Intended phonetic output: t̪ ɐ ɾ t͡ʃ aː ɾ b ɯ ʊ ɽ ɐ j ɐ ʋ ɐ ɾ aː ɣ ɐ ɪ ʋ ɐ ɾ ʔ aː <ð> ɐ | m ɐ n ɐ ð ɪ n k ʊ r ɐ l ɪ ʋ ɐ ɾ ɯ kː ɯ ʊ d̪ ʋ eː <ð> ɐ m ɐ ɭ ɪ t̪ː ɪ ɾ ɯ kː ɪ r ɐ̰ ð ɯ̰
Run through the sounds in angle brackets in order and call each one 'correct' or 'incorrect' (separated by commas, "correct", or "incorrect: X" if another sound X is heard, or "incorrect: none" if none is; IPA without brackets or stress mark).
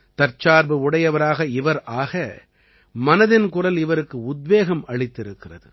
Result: incorrect: ɣ, incorrect: ɣ